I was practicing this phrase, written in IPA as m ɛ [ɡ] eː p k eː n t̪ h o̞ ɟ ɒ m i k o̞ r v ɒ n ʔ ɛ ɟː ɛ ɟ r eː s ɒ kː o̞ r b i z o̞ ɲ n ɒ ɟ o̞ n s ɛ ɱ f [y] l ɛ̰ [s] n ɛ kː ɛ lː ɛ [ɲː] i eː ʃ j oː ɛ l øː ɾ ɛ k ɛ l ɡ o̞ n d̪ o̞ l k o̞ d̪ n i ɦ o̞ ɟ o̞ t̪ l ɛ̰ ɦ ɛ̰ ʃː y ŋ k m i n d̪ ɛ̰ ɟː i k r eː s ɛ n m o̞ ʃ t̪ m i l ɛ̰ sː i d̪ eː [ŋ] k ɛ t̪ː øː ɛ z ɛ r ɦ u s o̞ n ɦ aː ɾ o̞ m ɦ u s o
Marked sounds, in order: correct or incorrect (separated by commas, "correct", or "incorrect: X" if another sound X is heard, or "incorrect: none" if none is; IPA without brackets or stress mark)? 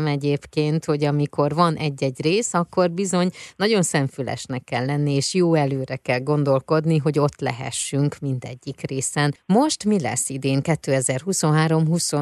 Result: incorrect: ɟ, correct, incorrect: ʃ, incorrect: nː, correct